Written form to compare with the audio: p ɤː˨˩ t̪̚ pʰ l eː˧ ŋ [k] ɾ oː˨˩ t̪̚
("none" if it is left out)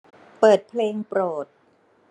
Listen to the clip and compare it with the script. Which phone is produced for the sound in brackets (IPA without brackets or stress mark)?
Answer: p